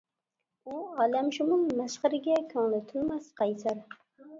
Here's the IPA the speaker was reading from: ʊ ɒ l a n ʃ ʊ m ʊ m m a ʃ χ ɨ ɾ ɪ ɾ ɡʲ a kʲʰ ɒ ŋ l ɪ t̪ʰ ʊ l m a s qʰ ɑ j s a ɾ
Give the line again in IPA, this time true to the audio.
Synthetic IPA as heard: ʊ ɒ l a m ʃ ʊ m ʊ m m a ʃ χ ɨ ɾ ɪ ɡʲ a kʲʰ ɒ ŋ l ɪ t̪ʰ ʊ l m a s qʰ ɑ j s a ɾ

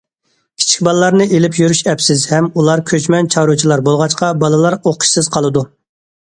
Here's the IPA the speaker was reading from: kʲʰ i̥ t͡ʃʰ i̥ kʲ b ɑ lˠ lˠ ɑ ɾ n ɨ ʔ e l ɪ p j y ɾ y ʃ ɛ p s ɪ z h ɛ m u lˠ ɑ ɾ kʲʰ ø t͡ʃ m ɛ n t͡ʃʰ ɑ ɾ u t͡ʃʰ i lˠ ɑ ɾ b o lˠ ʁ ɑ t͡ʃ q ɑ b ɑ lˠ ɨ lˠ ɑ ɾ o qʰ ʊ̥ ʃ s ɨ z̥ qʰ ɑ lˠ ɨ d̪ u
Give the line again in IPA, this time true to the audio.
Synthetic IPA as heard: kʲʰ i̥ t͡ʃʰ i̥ kʲ b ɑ lˠ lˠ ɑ ɾ n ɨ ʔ e l ɪ p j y ɾ y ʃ ɛ p s ɪ z h ɛ m u lˠ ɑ ɾ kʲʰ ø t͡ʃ m ɛ n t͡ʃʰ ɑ ɾ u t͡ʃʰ i lˠ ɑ ɾ b o lˠ ʁ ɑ t͡ʃ q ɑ b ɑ lˠ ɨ lˠ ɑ ɾ o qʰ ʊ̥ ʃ s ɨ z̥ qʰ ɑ lˠ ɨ d̪ u

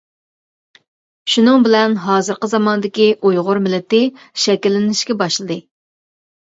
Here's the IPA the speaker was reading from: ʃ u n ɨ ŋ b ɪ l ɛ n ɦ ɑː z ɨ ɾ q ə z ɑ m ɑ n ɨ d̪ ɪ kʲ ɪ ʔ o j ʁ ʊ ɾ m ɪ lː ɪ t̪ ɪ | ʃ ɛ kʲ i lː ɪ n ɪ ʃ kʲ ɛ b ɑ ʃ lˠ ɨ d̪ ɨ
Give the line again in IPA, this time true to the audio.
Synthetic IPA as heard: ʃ u n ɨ ŋ b ɪ l ɛ n ɦ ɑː z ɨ ɾ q ə z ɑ m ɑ n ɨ d̪ ɪ kʲ i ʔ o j ʁ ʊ ɾ m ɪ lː ɪ t̪ ɪ | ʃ ɛ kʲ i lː ɪ n ɪ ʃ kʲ ɛ b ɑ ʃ lˠ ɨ d̪ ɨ

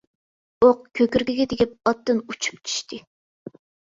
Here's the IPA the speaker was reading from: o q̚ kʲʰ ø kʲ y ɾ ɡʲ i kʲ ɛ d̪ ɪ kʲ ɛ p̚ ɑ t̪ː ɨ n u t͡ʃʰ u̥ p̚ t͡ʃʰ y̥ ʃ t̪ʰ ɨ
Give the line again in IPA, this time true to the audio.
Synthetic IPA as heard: o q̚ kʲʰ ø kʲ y ɾ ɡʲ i ɡʲ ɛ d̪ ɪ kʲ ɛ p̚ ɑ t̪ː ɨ n u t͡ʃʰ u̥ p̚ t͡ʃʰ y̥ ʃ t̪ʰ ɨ

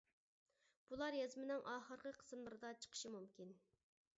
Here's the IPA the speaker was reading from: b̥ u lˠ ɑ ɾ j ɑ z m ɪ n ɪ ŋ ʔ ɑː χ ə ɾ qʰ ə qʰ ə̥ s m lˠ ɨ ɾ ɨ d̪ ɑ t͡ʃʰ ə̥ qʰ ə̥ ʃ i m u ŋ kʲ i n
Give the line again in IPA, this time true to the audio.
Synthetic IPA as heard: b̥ u lˠ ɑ ɾ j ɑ z m ɪ n ɪ ŋ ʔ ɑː χ ə ɾ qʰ ə qʰ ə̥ s m lˠ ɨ ɾ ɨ d̪ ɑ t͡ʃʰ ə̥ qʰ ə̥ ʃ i m u m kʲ i n

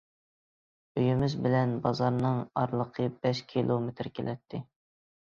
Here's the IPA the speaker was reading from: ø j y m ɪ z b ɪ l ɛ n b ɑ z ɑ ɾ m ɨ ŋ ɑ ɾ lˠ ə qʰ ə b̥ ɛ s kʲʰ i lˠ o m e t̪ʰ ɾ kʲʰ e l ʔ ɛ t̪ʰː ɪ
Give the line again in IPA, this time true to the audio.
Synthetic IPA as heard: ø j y m ɪ z b ɪ l ɛ n b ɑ z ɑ ɾ n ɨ ŋ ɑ ɾ lˠ ə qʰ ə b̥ ɛ ʃ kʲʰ i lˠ o m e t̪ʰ ɾ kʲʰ e l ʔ ɛ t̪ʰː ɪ

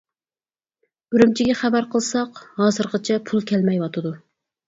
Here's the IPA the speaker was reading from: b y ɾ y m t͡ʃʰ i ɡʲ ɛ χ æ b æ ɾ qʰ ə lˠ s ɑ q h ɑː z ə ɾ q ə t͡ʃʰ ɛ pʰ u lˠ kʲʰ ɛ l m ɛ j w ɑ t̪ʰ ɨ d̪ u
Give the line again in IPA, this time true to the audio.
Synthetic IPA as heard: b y ɾ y m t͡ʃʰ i ɡʲ ɛ χ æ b æ ɾ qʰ ə lˠ s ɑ q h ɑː z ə ɾ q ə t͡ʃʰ ɛ pʰ u lˠ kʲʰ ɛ l m ɛ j w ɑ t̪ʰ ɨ d̪ u

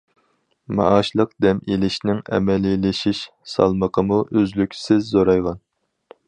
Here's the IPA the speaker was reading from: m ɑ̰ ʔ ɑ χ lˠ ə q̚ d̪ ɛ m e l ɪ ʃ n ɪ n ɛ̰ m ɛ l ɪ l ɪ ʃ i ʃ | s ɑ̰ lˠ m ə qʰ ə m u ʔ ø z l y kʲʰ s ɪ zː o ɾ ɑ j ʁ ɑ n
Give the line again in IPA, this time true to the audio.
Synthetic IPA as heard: m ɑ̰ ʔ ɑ ʃ lˠ ə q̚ d̪ ɛ m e l ɪ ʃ n ɪ ŋ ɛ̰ m ɛ l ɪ l ɪ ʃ i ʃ | s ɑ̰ lˠ m ə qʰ ə m u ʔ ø z l y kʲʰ s ɪ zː o ɾ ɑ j ʁ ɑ n

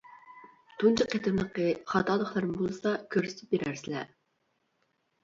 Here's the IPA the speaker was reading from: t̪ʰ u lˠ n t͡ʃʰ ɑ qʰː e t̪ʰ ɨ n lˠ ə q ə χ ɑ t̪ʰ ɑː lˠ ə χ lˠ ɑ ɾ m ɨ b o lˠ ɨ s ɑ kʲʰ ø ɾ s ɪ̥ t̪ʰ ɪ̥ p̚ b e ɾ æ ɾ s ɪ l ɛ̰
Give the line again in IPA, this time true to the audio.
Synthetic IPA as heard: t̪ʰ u n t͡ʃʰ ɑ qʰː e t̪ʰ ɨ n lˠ ə q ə χ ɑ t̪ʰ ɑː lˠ ə χ lˠ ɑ ɾ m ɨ b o lˠ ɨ s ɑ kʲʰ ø ɾ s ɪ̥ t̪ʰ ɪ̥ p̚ b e ɾ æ ɾ s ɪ l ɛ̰

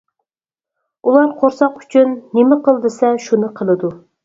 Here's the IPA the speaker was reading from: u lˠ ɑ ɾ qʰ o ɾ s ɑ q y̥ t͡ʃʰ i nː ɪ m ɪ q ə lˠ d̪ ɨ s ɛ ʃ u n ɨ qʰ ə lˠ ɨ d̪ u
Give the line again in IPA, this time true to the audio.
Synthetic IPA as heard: u lˠ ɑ ɾ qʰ o ɾ s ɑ q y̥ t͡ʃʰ y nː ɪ m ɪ q ə lˠ d̪ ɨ s ɛ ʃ u n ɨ qʰ ə lˠ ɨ d̪ u

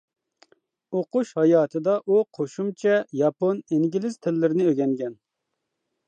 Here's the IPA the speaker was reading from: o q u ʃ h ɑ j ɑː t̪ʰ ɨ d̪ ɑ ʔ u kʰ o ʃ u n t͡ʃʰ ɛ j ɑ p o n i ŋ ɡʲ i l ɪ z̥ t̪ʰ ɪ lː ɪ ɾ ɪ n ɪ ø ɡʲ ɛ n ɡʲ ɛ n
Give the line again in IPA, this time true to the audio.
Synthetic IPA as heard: o q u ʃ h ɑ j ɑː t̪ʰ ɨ d̪ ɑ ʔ u qʰ o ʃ u m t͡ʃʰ ɛ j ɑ p o n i ŋ ɡʲ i l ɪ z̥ t̪ʰ ɪ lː ɪ ɾ ɪ n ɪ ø ɡʲ ɛ ŋ ɡʲ ɛ n

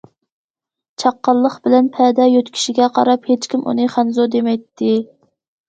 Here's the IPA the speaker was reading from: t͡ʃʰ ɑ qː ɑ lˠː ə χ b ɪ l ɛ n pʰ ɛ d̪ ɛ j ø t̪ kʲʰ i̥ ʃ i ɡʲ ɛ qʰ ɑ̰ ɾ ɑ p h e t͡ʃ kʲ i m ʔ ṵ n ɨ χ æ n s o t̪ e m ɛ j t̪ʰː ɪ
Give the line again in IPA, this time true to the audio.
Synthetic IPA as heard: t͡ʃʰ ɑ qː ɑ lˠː ə χ b ɪ l ɛ n pʰ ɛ d̪ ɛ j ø t̪ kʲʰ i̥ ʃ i ɡʲ ɛ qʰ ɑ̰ ɾ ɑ p h e t͡ʃ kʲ i m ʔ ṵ n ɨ χ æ n z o d̪ e m ɛ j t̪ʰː ɪ

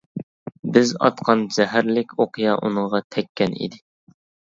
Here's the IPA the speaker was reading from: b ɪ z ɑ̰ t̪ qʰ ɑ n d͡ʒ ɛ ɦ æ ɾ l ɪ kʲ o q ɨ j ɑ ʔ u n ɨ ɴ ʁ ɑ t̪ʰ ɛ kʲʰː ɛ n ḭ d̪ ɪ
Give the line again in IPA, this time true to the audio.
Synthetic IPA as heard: b ɪ z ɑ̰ t̪ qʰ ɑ n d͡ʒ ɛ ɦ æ ɾ l ɪ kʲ o q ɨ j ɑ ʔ u n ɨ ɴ ʁ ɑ t̪ʰ ɛ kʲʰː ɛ n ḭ d̪ ɪ

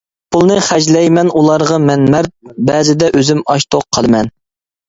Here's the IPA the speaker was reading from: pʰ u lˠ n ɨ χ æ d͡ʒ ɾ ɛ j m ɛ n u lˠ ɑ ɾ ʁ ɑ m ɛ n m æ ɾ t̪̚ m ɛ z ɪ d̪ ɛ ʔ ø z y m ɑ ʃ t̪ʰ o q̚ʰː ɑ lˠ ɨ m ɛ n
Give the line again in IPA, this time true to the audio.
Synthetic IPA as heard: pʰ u lˠ n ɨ χ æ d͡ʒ l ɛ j m ɛ n u lˠ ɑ ɾ ʁ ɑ m ɛ n m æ ɾ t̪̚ b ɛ z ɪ d̪ ɛ ʔ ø z y m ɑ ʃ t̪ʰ o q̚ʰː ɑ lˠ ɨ m ɛ n

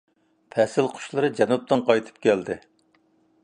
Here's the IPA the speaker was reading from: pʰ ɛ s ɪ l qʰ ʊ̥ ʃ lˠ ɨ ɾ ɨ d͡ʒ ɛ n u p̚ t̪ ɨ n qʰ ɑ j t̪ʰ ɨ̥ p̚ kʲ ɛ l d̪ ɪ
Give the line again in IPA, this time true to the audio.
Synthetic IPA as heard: pʰ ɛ s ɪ l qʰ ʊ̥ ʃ lˠ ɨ ɾ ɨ d͡ʒ ɛ n u p̚ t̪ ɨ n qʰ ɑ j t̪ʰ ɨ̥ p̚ kʲ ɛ l d̪ ɪ

